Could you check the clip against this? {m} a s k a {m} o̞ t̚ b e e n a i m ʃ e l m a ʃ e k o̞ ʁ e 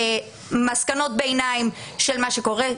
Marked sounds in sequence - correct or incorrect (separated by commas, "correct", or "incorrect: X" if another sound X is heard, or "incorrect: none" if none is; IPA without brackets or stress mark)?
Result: correct, incorrect: n